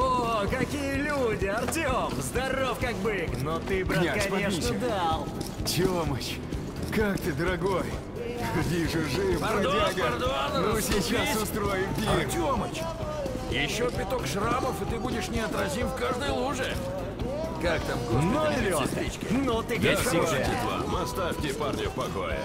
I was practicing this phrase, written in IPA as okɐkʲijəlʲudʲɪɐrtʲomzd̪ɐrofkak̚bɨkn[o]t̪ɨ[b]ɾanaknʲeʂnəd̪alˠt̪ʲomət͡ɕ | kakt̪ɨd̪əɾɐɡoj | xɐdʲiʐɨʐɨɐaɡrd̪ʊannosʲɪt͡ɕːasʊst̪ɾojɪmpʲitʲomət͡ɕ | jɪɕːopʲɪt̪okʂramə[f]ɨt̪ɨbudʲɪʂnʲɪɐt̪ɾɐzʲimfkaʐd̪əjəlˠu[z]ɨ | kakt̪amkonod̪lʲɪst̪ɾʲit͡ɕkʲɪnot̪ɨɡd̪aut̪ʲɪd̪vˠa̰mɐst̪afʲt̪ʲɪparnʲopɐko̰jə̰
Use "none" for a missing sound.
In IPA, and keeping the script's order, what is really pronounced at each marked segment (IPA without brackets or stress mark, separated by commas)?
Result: o, b, f, ʐ